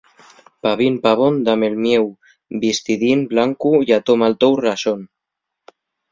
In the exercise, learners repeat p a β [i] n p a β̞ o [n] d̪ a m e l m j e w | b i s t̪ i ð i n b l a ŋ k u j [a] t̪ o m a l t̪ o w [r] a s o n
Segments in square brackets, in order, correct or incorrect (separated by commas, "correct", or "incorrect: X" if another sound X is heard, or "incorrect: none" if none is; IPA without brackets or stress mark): correct, correct, correct, correct